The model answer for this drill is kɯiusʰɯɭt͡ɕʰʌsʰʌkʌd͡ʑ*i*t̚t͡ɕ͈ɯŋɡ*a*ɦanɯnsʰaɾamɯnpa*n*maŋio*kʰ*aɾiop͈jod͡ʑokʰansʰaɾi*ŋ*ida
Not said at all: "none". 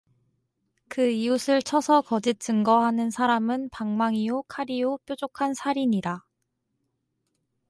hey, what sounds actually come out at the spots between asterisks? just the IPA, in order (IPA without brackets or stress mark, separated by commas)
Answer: i, ʌ, ŋ, kʰ, ɲ